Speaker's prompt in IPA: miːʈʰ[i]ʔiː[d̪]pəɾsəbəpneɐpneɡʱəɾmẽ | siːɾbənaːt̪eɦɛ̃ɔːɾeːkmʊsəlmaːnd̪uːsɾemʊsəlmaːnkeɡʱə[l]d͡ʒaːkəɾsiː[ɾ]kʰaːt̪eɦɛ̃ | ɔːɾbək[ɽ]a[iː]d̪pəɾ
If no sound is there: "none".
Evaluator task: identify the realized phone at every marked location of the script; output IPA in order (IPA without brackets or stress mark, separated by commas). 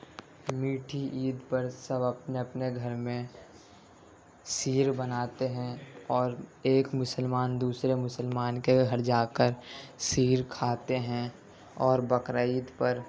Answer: i, d̪, ɾ, ɾ, ɾ, iː